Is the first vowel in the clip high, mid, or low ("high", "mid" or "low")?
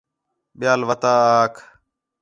high